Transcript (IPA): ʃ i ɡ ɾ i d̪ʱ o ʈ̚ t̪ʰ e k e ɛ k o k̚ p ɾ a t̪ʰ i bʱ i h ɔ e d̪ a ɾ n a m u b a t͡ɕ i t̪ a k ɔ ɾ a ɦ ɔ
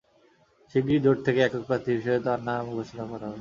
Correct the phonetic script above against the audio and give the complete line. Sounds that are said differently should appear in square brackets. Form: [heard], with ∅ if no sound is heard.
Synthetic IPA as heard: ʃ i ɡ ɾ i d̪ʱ o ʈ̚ t̪ʰ e k e ɛ k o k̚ p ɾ a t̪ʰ i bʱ i [ʃ] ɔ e [t̪] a ɾ n a m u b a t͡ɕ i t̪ a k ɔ ɾ a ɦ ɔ